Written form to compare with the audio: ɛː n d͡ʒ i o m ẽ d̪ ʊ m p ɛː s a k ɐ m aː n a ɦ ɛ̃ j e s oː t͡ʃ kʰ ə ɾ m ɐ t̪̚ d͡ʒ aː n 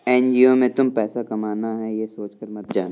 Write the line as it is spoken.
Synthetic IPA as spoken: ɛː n d͡ʒ i o m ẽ t̪ ʊ m p ɛː s a k ɐ m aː n a ɦ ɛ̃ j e s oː t͡ʃ k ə ɾ m ɐ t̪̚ d͡ʒ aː n